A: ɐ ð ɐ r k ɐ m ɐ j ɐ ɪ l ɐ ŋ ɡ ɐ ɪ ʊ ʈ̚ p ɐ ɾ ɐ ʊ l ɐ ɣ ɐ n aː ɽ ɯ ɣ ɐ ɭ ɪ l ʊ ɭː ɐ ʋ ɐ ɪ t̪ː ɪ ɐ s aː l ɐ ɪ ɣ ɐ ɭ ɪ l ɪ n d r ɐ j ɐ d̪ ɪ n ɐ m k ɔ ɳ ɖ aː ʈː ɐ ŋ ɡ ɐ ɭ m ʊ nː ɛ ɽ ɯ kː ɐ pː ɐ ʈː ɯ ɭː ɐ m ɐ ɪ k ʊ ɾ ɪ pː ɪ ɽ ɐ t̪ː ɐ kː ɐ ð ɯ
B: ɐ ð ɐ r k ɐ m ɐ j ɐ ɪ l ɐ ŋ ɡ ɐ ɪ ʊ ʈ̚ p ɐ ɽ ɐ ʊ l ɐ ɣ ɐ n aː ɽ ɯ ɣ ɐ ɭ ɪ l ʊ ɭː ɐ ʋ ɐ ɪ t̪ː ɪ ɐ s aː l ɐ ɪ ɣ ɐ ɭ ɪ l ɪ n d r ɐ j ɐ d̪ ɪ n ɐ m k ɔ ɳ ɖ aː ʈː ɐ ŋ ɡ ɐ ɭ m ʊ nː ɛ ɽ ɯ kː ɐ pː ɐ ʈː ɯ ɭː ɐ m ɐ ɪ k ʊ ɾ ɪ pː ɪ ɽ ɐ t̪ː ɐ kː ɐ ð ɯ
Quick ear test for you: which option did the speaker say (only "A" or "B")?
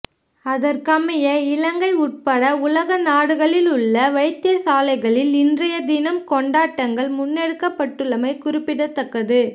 B